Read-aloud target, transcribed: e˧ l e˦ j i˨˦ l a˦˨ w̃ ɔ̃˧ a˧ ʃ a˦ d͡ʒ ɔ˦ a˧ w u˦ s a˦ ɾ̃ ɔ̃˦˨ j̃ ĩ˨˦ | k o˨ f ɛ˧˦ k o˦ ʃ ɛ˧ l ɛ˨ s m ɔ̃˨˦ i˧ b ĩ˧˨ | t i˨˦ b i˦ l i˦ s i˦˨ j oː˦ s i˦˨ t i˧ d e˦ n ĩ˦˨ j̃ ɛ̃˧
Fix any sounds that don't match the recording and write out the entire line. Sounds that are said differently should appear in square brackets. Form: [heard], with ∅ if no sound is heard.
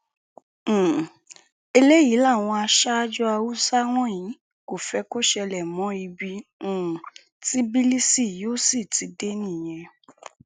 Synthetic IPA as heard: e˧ l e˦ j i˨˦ l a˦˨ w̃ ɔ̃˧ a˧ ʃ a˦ d͡ʒ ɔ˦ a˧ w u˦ s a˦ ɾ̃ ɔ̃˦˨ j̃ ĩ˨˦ | k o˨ f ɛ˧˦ k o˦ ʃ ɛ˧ l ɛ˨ [∅] m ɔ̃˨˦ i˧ b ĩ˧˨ | t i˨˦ b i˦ l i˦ s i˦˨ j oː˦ s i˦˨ t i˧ d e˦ n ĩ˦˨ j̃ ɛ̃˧